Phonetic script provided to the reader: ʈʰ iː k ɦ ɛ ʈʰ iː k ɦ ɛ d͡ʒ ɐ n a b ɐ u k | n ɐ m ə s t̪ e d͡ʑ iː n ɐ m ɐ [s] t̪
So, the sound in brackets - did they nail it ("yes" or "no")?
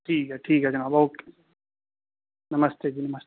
yes